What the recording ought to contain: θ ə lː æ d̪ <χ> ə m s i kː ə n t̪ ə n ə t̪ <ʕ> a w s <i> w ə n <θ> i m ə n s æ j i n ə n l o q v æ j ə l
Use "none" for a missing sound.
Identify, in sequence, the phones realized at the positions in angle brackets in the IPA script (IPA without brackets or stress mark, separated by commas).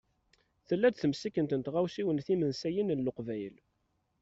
θ, ʁ, i, θ